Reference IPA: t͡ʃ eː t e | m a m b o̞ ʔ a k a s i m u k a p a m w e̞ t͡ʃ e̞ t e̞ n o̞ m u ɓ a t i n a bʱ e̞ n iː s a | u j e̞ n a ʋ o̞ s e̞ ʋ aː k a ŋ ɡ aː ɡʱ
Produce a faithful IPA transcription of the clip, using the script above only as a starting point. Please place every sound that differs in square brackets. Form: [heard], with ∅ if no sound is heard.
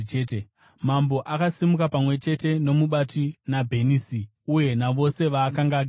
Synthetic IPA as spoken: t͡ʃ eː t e | m a m b o̞ ʔ a k a s i m u k a p a m w e̞ t͡ʃ e̞ t e̞ n o̞ m u ɓ a t i n a bʱ e̞ n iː s [i] | u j e̞ n a ʋ o̞ s e̞ ʋ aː k a ŋ ɡ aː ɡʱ

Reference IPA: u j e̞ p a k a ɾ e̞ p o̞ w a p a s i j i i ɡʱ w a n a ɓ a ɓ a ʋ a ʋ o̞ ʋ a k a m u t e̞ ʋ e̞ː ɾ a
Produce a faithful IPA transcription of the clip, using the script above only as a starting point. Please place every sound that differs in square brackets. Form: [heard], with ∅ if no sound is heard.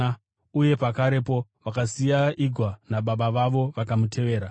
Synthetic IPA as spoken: u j e̞ p a k a ɾ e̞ p o̞ [ʋ] a [k] a s i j [a] i ɡʱ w a n a ɓ a ɓ a ʋ a ʋ o̞ ʋ a k a m u t e̞ ʋ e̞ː ɾ a

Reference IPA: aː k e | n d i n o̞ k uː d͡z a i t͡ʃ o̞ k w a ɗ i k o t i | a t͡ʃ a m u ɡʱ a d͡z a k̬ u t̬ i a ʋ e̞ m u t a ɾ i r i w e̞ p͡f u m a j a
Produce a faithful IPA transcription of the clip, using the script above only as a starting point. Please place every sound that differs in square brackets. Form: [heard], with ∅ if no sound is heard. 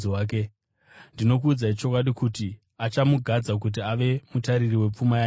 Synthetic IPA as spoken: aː k e | n d i n o̞ k uː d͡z a i t͡ʃ o̞ k w a ɗ i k [u] t i | a t͡ʃ a m u ɡʱ a d͡z a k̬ u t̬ i a ʋ e̞ m u t a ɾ i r i w e̞ p͡f u m a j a

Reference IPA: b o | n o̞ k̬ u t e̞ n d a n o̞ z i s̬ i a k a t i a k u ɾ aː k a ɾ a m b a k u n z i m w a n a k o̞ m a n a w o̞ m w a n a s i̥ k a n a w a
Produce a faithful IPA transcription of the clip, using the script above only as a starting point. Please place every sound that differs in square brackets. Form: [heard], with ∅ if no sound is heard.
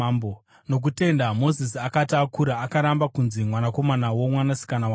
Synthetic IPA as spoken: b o | n o̞ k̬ u t e̞ n d a [m] o̞ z i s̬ i a k a t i a k u ɾ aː k a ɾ a m b a k u n z i m w a n a k o̞ m a n a w o̞ m w a n a s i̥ k a n a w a

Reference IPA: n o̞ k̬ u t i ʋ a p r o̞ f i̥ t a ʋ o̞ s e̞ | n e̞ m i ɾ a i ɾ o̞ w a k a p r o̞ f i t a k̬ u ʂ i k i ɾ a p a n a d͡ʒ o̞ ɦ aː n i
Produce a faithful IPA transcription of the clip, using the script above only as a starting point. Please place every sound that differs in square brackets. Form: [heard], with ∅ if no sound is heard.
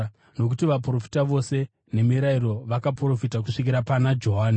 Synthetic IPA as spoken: n o̞ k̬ u t i ʋ a p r o̞ f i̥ t a ʋ o̞ s e̞ | n e̞ m i ɾ a i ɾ o̞ [ʋ] a k a p r o̞ f i t a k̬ u ʂ i k i ɾ a p a n a d͡ʒ o̞ ɦ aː n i

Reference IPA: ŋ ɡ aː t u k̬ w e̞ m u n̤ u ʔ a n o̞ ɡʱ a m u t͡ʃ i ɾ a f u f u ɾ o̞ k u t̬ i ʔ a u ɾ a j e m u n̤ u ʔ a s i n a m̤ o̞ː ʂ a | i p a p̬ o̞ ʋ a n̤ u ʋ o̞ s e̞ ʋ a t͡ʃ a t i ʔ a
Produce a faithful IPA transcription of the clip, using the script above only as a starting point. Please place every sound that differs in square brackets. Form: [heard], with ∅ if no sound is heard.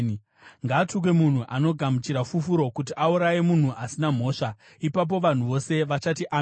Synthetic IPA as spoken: ŋ ɡ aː t u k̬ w e̞ m u n̤ u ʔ a n o̞ ɡʱ a m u t͡ʃ i ɾ a f u f u ɾ o̞ k u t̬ i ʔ a u ɾ a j e m u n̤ u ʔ a s i n a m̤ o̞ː ʂ a | i p a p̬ o̞ ʋ a n̤ u ʋ o̞ s e̞ ʋ a t͡ʃ a t i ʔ a

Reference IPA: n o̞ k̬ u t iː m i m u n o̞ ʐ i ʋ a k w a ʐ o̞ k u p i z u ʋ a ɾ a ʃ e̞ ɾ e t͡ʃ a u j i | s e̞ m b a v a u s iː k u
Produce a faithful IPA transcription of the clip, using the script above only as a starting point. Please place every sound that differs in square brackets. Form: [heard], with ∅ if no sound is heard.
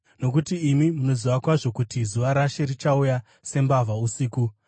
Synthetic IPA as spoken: n o̞ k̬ u t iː m i m u n o̞ [z] i ʋ a k w a ʐ o̞ k u [t] i z u ʋ a ɾ a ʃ e̞ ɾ [i] t͡ʃ a u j [a] | s e̞ m b a v a u s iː k u

